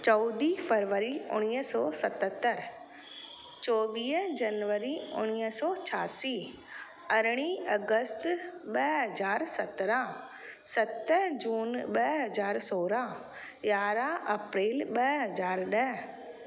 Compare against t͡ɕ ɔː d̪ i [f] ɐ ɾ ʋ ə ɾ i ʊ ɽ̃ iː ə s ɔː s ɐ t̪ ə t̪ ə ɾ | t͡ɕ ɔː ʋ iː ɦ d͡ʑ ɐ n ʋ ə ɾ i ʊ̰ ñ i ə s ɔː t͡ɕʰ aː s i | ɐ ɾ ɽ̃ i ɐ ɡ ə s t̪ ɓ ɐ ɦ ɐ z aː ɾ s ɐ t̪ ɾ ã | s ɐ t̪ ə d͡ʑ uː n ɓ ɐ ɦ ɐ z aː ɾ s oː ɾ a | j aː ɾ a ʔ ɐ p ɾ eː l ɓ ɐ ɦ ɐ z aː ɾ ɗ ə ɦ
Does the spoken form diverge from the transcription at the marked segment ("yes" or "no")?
no